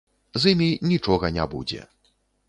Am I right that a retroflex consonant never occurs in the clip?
no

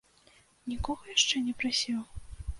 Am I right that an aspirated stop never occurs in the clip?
yes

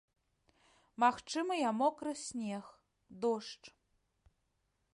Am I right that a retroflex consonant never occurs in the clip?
no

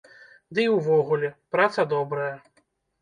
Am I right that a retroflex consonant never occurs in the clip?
yes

